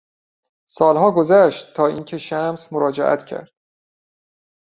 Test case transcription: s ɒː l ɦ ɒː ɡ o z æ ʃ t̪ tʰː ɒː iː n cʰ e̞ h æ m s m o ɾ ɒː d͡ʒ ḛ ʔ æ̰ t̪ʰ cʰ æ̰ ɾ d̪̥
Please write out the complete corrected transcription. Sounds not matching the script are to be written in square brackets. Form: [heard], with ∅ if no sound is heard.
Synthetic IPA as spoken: s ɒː l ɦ ɒː ɡ o z æ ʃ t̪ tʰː ɒː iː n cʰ e̞ [ʃ] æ m s m o ɾ ɒː d͡ʒ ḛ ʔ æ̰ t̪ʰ cʰ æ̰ ɾ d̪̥

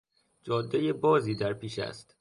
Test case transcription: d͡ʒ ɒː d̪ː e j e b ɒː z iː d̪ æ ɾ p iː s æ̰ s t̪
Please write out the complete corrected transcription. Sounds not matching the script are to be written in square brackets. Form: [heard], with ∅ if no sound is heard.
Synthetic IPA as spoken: d͡ʒ ɒː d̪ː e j e b ɒː z iː d̪ æ ɾ p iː [ʃ] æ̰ s t̪

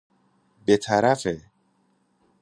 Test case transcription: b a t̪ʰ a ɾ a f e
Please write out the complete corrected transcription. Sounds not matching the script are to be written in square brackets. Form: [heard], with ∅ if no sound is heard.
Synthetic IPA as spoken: b [e] t̪ʰ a ɾ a f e

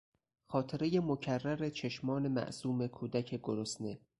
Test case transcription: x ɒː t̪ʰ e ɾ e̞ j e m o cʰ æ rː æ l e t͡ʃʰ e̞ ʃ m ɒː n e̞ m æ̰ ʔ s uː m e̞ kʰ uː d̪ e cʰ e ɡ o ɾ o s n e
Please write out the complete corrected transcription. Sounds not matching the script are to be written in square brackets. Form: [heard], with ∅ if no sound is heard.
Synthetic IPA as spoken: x ɒː t̪ʰ e ɾ e̞ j e m o cʰ æ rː æ [ɾ] e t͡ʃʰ e̞ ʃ m ɒː n e̞ m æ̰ ʔ s uː m e̞ kʰ uː d̪ [æ] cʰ e ɡ o ɾ o s n e

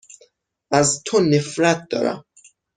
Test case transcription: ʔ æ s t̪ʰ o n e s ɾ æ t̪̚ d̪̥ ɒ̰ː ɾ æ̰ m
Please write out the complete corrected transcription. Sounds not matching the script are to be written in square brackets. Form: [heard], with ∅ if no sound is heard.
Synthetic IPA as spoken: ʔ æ [z] t̪ʰ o n e [f] ɾ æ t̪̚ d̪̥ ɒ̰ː ɾ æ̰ m

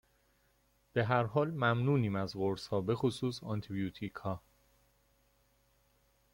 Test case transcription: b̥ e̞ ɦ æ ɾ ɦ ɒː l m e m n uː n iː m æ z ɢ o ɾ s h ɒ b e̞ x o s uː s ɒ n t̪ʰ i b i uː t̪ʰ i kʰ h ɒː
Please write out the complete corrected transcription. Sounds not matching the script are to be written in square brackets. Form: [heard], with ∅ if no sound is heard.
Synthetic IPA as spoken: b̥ e̞ ɦ æ ɾ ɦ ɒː l m [æ] m n uː n iː m æ z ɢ o ɾ s h [ɒː] b e̞ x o s uː s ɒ n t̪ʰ i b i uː t̪ʰ i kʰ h ɒː

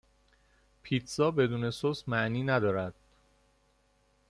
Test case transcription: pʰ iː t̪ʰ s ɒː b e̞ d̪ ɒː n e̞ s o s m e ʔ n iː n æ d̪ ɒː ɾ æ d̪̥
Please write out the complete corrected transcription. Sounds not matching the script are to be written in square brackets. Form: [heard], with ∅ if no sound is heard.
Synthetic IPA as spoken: pʰ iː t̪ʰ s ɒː b e̞ d̪ [uː] n e̞ s o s m [æ] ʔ n iː n æ d̪ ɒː ɾ æ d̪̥

